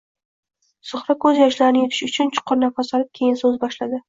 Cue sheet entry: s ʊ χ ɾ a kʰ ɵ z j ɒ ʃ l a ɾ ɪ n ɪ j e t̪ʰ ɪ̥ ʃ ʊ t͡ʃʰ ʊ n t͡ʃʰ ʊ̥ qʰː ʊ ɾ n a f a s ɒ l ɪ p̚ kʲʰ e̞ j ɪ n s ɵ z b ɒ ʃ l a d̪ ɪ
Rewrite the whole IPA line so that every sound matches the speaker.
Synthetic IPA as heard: s ʊ χ ɾ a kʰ ɵ z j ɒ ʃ l a ɾ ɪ n ɪ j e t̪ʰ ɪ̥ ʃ ʊ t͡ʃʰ ʊ n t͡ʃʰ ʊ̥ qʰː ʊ ɾ n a f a s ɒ l ɪ p̚ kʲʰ e̞ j ɪ n s ɵ z b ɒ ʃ l a d̪ ɪ